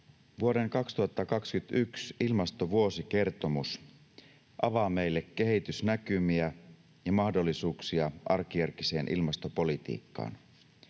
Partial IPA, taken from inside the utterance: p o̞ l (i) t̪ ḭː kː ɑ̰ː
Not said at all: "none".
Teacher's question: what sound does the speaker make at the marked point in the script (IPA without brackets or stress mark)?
i